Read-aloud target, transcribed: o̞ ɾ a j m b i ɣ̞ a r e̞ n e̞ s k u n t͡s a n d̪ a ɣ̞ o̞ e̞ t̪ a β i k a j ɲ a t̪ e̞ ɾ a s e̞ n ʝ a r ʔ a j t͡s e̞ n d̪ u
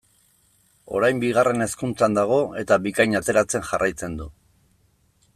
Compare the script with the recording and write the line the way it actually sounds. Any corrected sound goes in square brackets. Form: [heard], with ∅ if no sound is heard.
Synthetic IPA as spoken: o̞ ɾ a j m b i ɣ̞ a r e̞ n e̞ s k u n t͡s a n d̪ a ɣ̞ o̞ e̞ t̪ a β i k a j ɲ a t̪ e̞ ɾ a [t͡s] e̞ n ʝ a r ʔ a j t͡s e̞ n d̪ u